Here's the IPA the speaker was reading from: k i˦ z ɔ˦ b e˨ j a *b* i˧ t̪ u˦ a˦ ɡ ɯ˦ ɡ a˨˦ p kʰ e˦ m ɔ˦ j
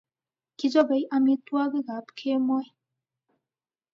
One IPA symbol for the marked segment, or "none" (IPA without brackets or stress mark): m